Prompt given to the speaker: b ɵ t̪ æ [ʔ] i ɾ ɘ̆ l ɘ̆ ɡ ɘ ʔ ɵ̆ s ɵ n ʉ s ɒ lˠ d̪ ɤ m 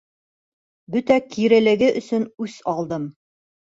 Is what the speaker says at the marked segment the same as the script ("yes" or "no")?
no